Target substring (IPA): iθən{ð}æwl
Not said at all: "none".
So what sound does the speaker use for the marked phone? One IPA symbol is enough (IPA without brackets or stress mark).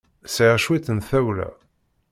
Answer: θ